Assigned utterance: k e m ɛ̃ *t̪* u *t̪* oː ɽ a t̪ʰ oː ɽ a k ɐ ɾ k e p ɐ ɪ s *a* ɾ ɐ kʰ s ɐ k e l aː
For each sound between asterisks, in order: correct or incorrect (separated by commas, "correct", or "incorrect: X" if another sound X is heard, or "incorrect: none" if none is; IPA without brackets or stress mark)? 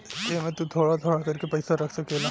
correct, incorrect: t̪ʰ, correct